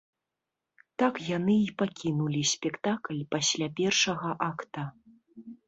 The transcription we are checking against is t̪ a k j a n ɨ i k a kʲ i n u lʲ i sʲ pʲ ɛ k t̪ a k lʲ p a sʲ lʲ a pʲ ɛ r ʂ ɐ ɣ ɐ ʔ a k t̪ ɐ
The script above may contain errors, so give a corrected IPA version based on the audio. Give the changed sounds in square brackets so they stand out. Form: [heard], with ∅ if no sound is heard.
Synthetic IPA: t̪ a k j a n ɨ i [p] a kʲ i n u lʲ i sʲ pʲ ɛ k t̪ a k lʲ p a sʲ lʲ a pʲ ɛ r ʂ ɐ ɣ ɐ ʔ a k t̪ ɐ